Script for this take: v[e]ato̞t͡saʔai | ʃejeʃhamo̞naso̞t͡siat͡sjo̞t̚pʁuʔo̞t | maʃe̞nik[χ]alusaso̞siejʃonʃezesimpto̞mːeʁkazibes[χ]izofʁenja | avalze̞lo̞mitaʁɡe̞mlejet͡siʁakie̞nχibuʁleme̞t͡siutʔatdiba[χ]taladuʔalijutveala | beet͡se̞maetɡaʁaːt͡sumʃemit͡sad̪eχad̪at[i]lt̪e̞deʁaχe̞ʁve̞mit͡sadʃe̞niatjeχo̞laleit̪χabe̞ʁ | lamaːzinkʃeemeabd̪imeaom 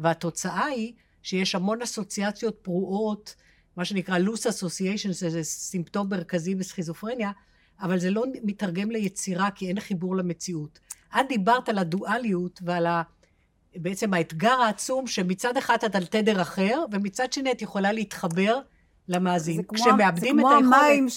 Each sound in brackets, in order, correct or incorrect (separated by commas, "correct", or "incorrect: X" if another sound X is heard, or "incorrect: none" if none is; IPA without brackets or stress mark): correct, incorrect: ʁ, correct, incorrect: ʁ, incorrect: a